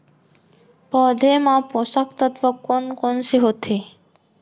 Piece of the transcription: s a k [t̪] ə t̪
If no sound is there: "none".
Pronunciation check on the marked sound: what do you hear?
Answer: t̪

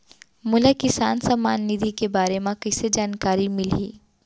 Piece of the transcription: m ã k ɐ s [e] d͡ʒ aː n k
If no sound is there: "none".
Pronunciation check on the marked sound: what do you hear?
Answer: e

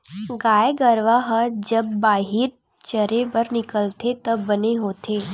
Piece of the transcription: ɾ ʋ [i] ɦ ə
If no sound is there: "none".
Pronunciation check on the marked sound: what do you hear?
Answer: a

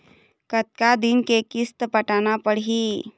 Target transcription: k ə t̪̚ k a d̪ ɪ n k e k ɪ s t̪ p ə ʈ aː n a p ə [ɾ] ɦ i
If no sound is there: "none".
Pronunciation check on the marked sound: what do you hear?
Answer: ɽ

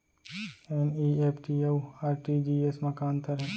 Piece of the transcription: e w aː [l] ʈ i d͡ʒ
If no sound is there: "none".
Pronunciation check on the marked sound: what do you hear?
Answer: ɾ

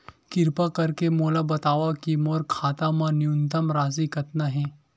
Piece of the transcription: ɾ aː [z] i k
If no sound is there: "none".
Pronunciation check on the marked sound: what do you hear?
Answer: z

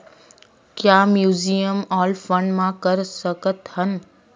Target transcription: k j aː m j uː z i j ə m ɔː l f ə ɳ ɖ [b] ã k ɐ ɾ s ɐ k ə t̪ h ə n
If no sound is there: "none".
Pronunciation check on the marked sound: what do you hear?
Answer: m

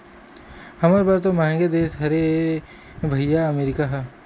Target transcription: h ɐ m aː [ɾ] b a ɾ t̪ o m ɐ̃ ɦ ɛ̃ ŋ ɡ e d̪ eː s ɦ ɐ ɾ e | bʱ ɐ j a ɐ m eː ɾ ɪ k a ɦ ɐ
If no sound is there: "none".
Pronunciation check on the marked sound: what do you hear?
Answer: ɾ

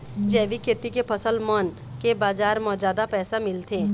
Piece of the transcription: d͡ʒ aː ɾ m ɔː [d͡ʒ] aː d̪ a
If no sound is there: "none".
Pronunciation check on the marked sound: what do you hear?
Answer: d͡ʒ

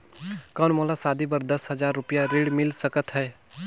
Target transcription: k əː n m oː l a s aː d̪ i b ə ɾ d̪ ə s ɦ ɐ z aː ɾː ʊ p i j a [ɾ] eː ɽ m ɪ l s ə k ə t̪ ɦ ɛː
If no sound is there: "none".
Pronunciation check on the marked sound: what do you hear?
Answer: ɾ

